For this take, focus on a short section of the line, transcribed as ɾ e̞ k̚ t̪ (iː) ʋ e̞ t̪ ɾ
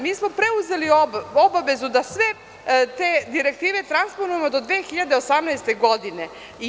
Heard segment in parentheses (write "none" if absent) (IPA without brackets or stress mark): iː